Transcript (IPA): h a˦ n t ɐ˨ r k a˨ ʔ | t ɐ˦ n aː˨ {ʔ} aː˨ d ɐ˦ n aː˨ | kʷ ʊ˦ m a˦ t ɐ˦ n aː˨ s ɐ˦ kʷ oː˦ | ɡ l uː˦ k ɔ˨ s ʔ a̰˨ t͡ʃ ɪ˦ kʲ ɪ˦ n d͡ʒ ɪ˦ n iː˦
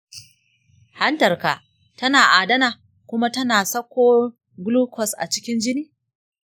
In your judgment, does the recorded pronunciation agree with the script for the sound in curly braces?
yes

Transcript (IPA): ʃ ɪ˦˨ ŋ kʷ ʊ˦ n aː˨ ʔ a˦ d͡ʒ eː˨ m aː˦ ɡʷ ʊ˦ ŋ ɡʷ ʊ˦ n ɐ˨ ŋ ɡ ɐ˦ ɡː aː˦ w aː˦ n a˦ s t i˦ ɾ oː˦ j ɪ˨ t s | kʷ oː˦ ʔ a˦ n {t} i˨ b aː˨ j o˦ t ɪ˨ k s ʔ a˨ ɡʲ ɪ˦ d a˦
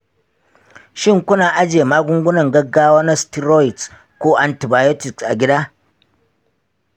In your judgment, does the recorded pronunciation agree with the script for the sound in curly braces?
yes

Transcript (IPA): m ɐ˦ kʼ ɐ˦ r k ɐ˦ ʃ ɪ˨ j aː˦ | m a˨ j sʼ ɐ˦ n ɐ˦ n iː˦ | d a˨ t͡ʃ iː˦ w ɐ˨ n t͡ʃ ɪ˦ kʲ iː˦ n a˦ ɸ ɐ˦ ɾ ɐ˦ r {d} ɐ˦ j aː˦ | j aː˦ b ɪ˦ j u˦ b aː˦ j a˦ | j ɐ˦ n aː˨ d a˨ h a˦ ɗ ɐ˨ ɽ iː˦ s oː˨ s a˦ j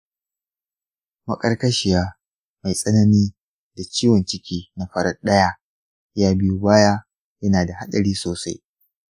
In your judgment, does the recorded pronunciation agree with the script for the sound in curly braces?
no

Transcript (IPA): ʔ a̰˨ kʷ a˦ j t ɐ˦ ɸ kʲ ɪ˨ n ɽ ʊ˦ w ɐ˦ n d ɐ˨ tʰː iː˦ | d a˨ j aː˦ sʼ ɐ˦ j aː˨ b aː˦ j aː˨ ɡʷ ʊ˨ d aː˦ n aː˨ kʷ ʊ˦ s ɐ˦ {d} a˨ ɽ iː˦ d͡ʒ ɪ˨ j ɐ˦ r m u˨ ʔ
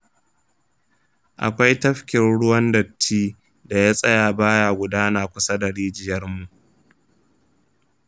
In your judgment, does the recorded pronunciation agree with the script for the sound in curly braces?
yes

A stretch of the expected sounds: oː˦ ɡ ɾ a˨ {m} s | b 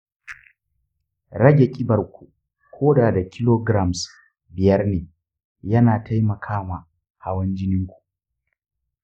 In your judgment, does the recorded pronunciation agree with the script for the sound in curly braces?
yes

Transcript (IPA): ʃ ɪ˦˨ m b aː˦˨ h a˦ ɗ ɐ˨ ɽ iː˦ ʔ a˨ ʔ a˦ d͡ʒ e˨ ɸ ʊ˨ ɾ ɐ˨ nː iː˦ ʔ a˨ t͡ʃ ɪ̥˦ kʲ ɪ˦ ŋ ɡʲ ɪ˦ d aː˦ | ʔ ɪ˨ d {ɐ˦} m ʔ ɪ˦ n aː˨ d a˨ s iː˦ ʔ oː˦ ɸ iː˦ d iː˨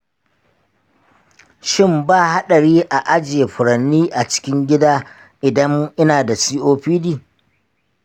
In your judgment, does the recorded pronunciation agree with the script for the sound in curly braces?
yes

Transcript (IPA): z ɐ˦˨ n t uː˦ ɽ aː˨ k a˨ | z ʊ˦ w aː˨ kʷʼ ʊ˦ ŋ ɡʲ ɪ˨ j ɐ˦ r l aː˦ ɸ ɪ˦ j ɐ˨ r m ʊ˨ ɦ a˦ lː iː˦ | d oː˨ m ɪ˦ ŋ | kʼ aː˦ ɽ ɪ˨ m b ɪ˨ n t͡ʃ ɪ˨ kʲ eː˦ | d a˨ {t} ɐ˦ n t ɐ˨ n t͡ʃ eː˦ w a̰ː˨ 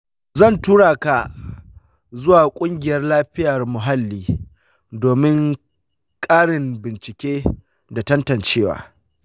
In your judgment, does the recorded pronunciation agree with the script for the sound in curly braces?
yes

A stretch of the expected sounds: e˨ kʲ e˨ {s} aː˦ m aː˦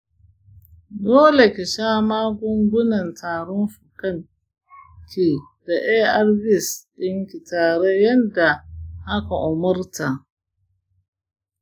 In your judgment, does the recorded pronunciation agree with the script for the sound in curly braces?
no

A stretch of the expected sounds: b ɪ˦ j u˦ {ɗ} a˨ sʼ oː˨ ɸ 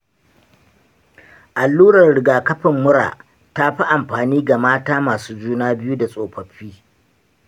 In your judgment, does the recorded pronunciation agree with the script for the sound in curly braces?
no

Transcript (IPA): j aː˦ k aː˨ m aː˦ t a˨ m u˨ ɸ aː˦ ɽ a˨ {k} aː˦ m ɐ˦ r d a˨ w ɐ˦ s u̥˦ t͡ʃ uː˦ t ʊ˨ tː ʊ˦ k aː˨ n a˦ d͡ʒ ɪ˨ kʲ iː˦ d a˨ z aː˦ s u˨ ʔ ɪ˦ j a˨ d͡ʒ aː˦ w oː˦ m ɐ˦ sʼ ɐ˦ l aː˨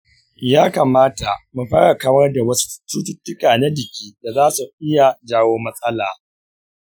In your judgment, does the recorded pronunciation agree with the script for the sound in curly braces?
yes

